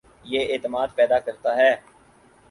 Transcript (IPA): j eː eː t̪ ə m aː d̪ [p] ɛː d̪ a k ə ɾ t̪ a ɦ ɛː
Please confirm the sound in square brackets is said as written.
yes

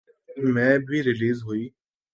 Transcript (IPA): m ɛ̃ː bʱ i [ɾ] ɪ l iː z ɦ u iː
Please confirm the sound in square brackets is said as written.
yes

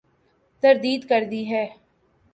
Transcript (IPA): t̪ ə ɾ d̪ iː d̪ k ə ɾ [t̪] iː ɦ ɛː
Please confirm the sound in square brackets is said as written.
no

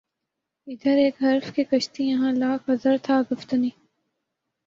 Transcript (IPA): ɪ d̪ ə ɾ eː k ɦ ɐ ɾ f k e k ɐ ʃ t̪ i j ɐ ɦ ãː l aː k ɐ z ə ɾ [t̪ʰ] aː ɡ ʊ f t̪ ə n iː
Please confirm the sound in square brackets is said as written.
yes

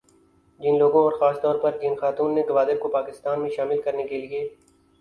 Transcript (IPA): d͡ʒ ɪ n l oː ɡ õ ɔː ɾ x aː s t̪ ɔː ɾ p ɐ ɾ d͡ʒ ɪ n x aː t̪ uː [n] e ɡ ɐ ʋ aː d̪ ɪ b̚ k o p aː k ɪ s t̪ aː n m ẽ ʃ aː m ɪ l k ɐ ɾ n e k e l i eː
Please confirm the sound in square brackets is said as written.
no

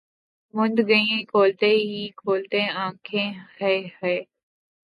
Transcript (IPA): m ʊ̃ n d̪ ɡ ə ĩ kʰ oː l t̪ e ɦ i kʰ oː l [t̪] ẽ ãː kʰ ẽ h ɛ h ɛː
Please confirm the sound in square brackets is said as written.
yes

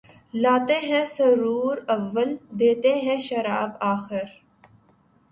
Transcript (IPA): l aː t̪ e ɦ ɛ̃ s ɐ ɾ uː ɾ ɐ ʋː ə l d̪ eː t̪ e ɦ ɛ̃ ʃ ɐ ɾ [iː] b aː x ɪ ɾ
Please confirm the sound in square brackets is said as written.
no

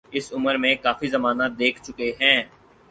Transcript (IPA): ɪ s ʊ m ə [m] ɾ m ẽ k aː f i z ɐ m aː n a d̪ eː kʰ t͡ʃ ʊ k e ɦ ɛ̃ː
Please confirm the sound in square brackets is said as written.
no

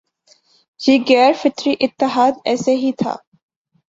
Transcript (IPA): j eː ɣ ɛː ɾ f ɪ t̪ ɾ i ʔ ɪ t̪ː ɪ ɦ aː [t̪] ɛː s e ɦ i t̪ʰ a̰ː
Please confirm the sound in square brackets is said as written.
no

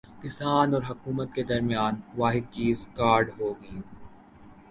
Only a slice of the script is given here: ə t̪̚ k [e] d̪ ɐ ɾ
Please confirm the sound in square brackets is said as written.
yes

